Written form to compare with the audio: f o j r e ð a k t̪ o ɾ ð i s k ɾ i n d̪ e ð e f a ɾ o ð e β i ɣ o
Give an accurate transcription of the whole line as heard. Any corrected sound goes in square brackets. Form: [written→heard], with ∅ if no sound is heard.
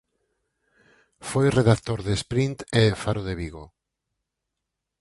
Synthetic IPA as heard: f o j r e ð a k t̪ o ɾ ð [i→e] s [k→p] ɾ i n [d̪→t̪] e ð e f a ɾ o ð e β i ɣ o